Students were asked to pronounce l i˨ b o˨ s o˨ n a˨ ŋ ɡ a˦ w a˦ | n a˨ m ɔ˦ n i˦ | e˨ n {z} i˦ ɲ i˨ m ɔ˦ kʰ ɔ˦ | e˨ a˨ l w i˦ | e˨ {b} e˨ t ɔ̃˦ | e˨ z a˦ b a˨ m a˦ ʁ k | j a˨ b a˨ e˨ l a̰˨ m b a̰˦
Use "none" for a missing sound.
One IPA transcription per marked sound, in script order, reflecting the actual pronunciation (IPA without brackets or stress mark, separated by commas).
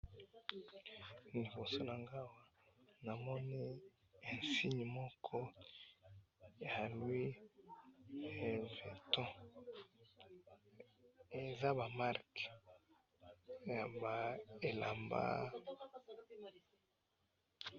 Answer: s, v